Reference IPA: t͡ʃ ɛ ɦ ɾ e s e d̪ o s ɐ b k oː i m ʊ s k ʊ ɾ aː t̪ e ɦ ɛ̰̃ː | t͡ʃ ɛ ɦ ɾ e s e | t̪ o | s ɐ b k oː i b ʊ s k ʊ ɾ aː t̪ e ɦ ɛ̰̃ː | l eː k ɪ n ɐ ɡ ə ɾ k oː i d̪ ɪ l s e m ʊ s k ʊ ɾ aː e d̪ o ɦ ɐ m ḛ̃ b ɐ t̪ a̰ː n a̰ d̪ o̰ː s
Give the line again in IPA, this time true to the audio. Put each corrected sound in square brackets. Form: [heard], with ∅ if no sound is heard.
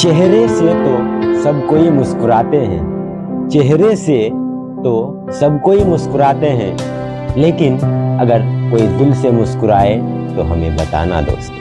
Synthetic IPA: t͡ʃ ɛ ɦ ɾ e s e [t̪] o s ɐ b k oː i m ʊ s k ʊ ɾ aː t̪ e ɦ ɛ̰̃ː | t͡ʃ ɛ ɦ ɾ e s e | t̪ o | s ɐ b k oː i [m] ʊ s k ʊ ɾ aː t̪ e ɦ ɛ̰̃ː | l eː k ɪ n ɐ ɡ ə ɾ k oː i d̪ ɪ l s e m ʊ s k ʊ ɾ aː e [t̪] o ɦ ɐ m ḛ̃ b ɐ t̪ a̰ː n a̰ d̪ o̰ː s